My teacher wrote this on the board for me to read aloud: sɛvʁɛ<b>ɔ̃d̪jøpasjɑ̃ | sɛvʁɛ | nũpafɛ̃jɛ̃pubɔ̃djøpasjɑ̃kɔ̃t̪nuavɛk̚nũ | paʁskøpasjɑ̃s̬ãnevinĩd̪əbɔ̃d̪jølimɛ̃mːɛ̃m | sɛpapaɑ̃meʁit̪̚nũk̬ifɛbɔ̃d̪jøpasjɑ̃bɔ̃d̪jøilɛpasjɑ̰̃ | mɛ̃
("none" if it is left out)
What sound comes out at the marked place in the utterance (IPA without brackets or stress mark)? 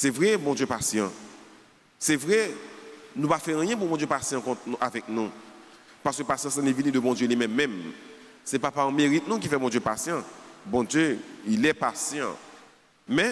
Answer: b